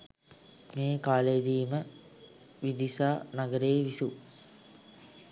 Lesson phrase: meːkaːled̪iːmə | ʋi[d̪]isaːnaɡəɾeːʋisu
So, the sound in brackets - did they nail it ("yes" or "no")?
yes